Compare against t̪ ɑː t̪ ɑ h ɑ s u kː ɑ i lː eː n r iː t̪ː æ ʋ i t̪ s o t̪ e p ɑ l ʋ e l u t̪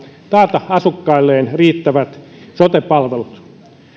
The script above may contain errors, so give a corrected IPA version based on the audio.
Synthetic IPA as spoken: t̪ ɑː t̪ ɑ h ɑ s u kː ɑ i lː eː n r iː t̪ː æ ʋ æ t̪ s o t̪ e p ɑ l ʋ e l u t̪